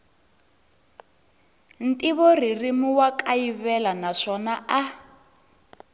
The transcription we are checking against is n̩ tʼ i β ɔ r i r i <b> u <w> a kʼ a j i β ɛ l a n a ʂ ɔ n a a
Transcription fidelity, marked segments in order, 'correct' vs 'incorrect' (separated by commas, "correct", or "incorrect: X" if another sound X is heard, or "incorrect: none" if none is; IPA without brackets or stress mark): incorrect: m, correct